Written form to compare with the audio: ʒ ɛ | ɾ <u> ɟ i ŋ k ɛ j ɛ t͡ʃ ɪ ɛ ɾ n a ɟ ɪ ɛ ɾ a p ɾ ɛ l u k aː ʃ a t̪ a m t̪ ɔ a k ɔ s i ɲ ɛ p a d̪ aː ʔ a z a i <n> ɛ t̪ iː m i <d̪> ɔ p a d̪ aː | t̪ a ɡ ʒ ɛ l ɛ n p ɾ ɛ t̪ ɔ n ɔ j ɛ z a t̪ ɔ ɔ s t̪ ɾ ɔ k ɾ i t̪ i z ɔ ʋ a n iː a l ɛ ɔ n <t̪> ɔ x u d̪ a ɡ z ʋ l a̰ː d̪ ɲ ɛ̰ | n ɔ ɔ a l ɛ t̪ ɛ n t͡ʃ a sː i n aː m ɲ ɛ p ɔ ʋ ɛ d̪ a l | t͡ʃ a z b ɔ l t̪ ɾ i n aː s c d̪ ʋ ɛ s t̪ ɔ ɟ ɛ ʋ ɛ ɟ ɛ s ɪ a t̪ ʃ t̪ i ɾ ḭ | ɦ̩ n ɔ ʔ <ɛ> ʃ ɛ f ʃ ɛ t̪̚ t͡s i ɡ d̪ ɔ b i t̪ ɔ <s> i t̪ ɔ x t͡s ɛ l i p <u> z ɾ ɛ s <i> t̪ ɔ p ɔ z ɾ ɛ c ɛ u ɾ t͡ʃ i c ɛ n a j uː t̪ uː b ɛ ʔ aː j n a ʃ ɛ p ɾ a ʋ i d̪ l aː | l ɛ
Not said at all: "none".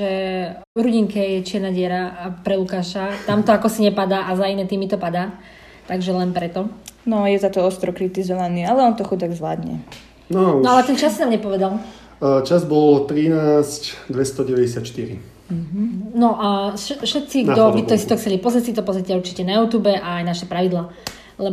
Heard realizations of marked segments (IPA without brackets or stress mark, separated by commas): u, n, t̪, t̪, a, s, ɔ, i